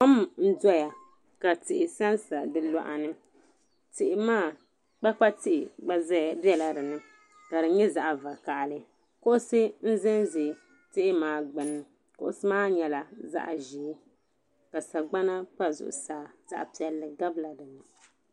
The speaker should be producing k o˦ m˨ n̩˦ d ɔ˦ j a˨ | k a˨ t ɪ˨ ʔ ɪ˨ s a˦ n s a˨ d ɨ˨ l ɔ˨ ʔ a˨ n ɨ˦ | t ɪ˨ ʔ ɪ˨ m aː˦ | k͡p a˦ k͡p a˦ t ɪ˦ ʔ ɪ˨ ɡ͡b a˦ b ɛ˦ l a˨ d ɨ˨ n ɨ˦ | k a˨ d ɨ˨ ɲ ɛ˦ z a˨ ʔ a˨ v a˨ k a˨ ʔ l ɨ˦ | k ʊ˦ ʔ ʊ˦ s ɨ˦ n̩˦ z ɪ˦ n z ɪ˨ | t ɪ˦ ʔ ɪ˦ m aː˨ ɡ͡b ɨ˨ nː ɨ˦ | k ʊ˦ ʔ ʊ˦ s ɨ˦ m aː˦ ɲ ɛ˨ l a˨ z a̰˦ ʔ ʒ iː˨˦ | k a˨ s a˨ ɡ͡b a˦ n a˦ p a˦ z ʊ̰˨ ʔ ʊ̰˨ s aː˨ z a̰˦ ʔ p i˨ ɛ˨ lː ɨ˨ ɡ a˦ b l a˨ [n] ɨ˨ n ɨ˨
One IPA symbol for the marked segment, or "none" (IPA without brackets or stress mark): d